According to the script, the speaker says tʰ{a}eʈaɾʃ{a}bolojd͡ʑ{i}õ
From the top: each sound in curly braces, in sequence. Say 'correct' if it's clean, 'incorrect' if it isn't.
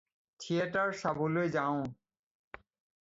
incorrect: i, correct, incorrect: a

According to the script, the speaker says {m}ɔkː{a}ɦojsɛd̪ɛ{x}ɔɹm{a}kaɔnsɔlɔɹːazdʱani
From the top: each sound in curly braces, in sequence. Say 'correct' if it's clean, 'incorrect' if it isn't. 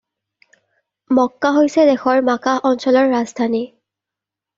correct, correct, correct, correct

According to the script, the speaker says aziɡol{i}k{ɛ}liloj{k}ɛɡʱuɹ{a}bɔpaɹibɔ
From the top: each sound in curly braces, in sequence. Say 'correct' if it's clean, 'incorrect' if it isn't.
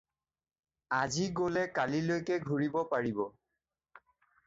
incorrect: ɛ, incorrect: a, correct, incorrect: i

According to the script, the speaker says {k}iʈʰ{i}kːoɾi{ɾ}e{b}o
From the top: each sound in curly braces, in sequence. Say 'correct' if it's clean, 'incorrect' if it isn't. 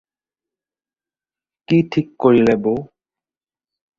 correct, correct, incorrect: l, correct

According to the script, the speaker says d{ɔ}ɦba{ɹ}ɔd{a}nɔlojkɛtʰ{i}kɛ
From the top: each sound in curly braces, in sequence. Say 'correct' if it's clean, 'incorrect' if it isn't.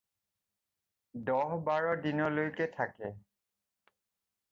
correct, correct, incorrect: i, incorrect: a

